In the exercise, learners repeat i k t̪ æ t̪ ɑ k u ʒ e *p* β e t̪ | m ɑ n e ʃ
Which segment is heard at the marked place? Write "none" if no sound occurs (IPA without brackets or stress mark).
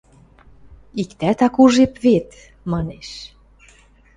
p